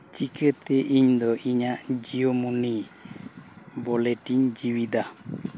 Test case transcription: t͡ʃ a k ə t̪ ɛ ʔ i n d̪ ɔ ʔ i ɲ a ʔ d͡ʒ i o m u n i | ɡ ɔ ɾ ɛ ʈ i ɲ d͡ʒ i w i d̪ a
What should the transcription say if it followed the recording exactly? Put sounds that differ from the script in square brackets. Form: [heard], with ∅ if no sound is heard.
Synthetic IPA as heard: t͡ʃ [i] k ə t̪ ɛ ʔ i [ɲ] d̪ ɔ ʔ i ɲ a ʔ d͡ʒ i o m u n i | [b] ɔ [l] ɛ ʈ i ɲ d͡ʒ i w i d̪ a